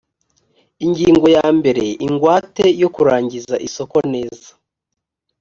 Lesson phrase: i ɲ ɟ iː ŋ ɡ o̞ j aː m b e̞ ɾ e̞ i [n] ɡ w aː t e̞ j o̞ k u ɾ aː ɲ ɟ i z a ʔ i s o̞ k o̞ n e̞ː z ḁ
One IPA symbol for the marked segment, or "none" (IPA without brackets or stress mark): ŋ